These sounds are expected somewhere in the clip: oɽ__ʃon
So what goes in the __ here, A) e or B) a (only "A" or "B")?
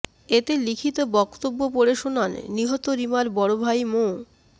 A